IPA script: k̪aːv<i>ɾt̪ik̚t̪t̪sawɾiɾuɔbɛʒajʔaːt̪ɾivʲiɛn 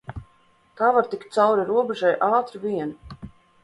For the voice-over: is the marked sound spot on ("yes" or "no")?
no